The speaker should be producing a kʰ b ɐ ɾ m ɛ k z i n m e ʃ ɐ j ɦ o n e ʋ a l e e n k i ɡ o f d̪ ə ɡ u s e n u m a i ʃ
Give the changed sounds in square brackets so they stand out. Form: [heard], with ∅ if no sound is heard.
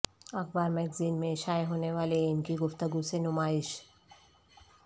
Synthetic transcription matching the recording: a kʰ b [a] ɾ m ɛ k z i n m e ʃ [a] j ɦ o n e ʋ a l e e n k i ɡ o f [t̪] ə ɡ u s e n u m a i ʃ